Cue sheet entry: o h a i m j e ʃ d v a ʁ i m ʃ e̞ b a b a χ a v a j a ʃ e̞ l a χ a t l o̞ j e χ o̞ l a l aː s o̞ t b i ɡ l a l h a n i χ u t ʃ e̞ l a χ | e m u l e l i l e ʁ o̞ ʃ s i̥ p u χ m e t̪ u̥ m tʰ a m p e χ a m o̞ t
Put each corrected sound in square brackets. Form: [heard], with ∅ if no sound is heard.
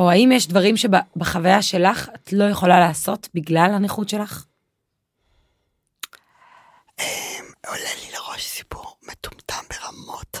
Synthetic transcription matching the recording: o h a i m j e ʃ d v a ʁ i m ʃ e̞ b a b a χ a v a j a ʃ e̞ l a χ a t l o̞ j e χ o̞ l a l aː s o̞ t b i ɡ l a l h a n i χ u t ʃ e̞ l a χ | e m [o] l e l i l e ʁ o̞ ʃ s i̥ p u [ʁ] m e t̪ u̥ m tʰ a m [b] e [ʁ] a m o̞ t